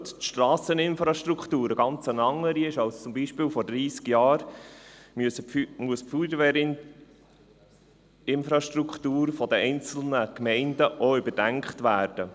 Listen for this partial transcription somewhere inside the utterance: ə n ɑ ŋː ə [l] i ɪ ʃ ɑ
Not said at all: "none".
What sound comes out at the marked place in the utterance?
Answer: ɾ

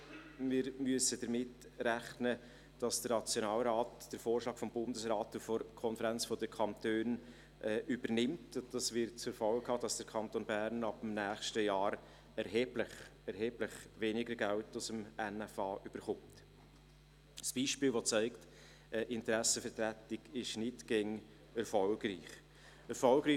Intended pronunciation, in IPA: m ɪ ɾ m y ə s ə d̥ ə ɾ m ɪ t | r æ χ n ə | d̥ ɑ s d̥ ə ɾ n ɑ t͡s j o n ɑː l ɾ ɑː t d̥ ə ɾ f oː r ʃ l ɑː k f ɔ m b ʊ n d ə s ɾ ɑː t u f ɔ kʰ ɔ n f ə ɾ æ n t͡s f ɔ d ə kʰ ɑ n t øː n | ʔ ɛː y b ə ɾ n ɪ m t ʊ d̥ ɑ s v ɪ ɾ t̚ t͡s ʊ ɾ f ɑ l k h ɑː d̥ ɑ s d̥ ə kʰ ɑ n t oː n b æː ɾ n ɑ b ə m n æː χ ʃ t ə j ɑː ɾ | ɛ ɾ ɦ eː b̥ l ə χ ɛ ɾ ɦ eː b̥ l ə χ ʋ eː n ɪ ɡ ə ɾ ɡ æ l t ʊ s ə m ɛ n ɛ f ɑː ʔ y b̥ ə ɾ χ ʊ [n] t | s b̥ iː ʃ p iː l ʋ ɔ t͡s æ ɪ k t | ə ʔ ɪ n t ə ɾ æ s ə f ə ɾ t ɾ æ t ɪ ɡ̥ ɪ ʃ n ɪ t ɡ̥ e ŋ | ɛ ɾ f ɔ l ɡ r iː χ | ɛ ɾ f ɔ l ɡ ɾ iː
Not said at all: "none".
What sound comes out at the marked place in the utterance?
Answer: m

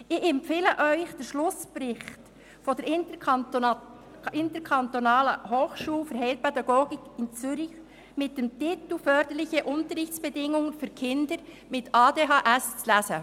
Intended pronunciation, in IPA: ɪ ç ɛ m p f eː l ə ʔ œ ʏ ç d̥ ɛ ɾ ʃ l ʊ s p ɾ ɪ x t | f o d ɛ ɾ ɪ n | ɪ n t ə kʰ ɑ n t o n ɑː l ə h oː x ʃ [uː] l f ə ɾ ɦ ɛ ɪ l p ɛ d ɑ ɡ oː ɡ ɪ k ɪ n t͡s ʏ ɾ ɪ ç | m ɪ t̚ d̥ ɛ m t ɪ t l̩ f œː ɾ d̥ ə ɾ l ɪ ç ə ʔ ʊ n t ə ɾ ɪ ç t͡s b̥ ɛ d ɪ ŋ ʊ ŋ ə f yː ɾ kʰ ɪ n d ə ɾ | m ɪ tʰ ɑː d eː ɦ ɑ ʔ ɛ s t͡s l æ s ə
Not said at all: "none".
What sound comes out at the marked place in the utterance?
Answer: uː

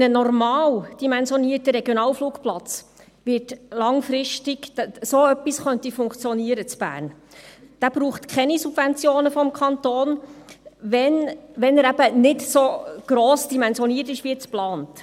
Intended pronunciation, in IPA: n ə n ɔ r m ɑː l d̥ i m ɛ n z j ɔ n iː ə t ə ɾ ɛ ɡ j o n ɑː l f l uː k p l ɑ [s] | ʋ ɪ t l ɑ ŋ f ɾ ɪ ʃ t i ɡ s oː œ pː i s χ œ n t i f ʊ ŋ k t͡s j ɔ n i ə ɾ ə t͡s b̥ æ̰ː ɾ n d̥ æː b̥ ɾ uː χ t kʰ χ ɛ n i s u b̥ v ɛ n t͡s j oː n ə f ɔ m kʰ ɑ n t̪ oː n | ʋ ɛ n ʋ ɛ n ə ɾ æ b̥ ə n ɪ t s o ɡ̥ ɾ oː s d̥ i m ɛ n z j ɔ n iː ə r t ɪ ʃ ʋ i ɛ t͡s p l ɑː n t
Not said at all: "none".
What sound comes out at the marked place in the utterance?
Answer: t͡s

